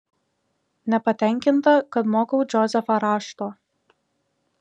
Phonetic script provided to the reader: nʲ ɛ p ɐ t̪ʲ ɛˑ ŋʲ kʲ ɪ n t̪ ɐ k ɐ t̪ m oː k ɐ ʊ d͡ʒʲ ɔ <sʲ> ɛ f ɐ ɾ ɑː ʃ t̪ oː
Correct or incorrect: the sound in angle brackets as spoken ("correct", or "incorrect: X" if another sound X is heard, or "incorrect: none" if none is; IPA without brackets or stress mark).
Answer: incorrect: zʲ